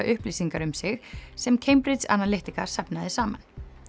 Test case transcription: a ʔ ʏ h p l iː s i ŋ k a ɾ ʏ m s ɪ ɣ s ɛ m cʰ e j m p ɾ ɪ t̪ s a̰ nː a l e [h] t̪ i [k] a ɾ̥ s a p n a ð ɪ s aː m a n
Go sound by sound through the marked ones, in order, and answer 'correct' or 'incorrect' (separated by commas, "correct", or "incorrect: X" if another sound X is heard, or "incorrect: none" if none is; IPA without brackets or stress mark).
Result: correct, correct